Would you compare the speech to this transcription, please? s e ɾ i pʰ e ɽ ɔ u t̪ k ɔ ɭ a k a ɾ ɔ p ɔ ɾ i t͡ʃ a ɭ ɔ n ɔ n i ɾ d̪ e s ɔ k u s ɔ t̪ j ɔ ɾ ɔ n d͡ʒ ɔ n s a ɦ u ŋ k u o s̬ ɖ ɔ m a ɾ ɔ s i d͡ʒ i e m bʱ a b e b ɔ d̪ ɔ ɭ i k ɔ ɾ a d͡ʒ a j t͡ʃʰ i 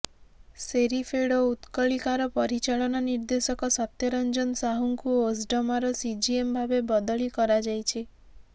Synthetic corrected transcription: s e ɾ i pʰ e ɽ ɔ u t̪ k ɔ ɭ i k a ɾ ɔ p ɔ ɾ i t͡ʃ a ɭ ɔ n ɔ n i ɾ d̪ e s ɔ k ɔ s ɔ t̪ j ɔ ɾ ɔ n d͡ʒ ɔ n s a ɦ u ŋ k u o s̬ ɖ ɔ m a ɾ ɔ s i d͡ʒ i e m bʱ a b e b ɔ d̪ ɔ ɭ i k ɔ ɾ a d͡ʒ a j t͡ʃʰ i

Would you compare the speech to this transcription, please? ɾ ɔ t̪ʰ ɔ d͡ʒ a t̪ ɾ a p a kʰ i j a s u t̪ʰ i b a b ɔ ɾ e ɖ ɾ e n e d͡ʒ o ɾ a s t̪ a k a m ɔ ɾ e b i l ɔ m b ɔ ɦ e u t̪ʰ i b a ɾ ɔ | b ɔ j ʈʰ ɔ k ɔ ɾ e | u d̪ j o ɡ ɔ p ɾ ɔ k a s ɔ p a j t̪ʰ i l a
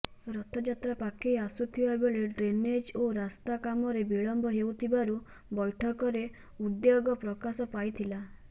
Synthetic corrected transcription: ɾ ɔ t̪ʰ ɔ d͡ʒ a t̪ ɾ a p a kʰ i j a s u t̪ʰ i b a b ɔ ɭ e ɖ ɾ e n e d͡ʒ o ɾ a s t̪ a k a m ɔ ɾ e b i ɭ ɔ m b ɔ ɦ e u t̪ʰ i b a ɾ u | b ɔ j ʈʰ ɔ k ɔ ɾ e | u d̪ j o ɡ ɔ p ɾ ɔ k a s ɔ p a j t̪ʰ i l a

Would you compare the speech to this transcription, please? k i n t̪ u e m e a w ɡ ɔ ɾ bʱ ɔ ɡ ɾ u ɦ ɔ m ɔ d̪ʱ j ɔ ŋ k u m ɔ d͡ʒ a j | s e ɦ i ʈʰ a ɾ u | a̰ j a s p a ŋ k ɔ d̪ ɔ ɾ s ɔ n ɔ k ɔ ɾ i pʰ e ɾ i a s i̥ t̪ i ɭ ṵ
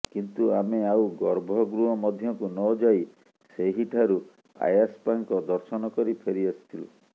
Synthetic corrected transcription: k i n t̪ u a m e a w ɡ ɔ ɾ bʱ ɔ ɡ ɾ u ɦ ɔ m ɔ d̪ʱ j ɔ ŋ k u n ɔ d͡ʒ a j | s e ɦ i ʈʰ a ɾ u | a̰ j a s p a ŋ k ɔ d̪ ɔ ɾ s ɔ n ɔ k ɔ ɾ i pʰ e ɾ i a s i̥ t̪ʰ i l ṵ

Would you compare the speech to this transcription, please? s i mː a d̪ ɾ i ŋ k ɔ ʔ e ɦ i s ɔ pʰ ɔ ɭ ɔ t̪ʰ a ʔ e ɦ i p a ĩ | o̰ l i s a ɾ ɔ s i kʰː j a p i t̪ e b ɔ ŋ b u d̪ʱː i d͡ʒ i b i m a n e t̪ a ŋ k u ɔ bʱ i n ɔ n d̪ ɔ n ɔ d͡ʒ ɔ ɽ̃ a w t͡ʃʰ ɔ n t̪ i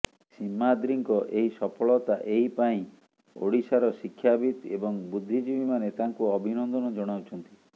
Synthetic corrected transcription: s i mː a d̪ ɾ i ŋ k ɔ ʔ e ɦ i s ɔ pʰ ɔ ɭ ɔ t̪ a ʔ e ɦ i p a ĩ | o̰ ɽ i s a ɾ ɔ s i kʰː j a b i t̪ e b ɔ ŋ b u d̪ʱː i d͡ʒ i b i m a n e t̪ a ŋ k u ɔ bʱ i n ɔ n d̪ ɔ n ɔ d͡ʒ ɔ ɽ̃ a w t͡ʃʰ ɔ n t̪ i

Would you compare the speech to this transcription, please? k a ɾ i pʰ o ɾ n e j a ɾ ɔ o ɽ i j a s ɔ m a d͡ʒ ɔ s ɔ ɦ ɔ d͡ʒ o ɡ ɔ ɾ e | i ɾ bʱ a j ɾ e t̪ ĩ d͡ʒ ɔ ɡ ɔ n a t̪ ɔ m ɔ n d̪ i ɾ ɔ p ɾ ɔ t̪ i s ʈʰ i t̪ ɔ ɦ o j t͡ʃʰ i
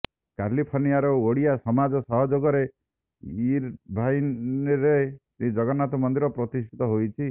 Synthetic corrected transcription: k a l i pʰ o ɾ n i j a ɾ ɔ o ɽ i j a s ɔ m a d͡ʒ ɔ s ɔ ɦ ɔ d͡ʒ o ɡ ɔ ɾ e | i ɾ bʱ a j ɾ e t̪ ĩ d͡ʒ ɔ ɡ ɔ n a t̪ ɔ m ɔ n d̪ i ɾ ɔ p ɾ ɔ t̪ i s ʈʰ i t̪ ɔ ɦ o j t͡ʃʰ i

